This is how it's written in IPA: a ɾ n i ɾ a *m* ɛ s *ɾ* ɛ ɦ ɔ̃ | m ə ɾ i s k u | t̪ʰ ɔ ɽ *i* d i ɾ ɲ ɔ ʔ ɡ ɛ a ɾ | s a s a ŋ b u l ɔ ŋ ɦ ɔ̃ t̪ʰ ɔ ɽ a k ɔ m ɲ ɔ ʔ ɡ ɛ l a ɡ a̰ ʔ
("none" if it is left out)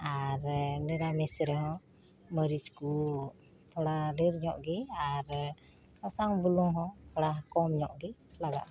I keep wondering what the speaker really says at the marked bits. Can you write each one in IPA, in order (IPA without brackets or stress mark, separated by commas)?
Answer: m, ɾ, a